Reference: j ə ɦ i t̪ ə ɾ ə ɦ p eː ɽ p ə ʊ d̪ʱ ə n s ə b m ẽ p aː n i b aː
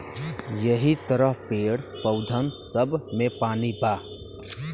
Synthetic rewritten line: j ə ɦ i t̪ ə ɾ ə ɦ p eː ɽ p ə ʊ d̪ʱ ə n s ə b m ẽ p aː n i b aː